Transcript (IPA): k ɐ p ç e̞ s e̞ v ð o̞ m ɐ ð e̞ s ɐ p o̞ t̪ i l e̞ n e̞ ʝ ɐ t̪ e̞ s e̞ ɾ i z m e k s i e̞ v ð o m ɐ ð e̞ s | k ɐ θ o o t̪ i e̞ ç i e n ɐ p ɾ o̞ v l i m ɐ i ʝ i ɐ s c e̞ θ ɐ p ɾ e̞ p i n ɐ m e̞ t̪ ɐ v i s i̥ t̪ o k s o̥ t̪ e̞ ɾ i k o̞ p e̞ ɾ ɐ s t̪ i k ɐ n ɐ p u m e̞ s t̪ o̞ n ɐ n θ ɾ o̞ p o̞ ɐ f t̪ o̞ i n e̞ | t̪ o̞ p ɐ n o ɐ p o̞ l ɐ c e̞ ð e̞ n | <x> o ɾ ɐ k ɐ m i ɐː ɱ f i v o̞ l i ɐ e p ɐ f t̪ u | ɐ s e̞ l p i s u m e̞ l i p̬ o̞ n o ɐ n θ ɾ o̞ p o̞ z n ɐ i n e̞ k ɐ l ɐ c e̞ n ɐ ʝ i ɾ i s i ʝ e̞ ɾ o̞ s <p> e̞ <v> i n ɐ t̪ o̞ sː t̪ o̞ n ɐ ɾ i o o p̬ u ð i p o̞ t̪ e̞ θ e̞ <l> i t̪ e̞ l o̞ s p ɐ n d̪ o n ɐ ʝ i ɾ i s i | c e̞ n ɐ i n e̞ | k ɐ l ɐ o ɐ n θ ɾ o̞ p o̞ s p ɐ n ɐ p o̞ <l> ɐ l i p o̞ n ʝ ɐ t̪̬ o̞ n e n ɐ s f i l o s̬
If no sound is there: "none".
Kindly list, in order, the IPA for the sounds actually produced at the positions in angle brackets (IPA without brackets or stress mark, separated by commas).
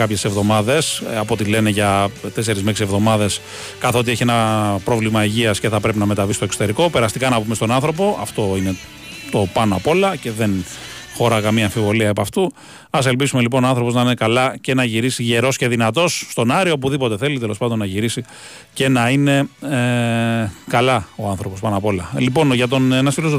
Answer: x, c, ð, l, l